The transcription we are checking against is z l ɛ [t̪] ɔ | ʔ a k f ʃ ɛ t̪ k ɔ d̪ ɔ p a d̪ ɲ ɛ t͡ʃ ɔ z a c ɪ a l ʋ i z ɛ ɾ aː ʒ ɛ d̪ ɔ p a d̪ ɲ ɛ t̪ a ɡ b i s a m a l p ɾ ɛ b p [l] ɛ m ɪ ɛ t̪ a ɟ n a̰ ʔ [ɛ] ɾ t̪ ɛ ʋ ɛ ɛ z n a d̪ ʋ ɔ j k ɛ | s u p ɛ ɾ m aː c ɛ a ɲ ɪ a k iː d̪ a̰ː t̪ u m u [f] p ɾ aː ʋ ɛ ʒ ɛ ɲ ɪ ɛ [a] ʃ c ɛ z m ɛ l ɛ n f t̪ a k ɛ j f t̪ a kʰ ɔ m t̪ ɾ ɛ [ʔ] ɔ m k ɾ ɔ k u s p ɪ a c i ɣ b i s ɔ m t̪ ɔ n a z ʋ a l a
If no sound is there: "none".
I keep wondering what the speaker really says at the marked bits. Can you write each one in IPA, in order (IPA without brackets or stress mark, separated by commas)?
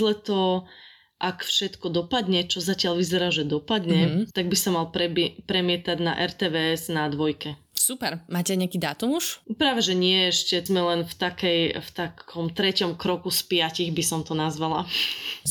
t̪, ɾ, ɛ, ʃ, ɛ, c